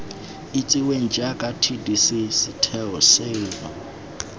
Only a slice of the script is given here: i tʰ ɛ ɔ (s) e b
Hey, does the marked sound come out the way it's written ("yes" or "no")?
yes